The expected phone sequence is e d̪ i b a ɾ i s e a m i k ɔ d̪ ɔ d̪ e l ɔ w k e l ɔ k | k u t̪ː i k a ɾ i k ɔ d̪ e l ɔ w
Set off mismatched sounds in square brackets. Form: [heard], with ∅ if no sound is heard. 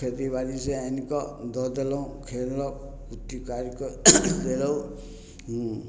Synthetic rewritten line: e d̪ i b a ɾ i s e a [n] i k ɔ d̪ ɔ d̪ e l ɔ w [kʰ] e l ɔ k | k u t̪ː i k a ɾ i k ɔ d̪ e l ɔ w